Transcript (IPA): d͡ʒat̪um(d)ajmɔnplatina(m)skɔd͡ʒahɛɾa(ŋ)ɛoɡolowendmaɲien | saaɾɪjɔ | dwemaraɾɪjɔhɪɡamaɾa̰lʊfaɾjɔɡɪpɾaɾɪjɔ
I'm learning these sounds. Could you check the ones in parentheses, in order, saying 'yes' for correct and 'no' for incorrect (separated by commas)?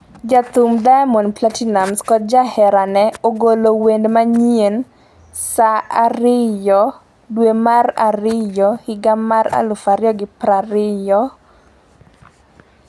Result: yes, yes, no